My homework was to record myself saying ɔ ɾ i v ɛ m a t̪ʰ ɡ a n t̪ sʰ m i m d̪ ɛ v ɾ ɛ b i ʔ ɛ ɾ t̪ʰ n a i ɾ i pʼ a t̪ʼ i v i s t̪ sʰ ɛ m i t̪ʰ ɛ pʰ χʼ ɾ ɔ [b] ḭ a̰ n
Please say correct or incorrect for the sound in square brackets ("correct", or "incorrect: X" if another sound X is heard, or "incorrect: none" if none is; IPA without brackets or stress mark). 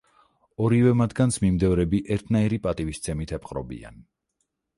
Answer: correct